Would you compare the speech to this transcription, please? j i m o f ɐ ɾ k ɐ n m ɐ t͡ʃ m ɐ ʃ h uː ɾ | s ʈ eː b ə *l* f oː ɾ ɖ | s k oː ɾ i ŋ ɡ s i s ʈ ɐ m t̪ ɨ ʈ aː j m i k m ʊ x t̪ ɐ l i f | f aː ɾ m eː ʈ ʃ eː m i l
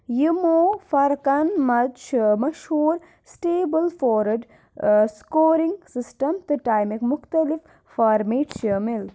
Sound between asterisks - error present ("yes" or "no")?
no